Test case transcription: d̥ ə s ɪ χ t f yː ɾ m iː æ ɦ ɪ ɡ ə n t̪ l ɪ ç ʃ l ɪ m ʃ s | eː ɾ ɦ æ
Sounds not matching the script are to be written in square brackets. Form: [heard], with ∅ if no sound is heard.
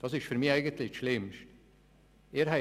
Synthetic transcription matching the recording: d̥ [ɑ] s ɪ [ʃ] t f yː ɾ m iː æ [∅] ɪ ɡ ə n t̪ l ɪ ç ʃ l ɪ m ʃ [t] | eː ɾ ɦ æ